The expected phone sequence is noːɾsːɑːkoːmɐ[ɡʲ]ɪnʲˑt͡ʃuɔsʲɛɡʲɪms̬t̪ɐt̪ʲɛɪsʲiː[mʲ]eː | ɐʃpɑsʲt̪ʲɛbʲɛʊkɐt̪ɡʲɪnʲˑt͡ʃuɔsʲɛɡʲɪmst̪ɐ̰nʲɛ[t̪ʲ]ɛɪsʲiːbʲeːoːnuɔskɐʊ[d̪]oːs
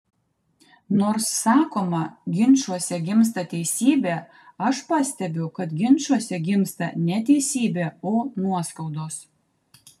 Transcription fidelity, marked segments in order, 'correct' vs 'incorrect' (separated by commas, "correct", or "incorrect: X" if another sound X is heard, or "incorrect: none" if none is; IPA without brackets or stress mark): correct, incorrect: bʲ, correct, correct